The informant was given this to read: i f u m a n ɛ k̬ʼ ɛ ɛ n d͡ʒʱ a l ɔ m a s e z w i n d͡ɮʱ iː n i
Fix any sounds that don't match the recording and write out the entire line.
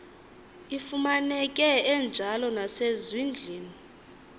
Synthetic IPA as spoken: i f u m a n ɛ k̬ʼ ɛ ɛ n d͡ʒʱ a l ɔ n a s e z w i n d͡ɮʱ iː n i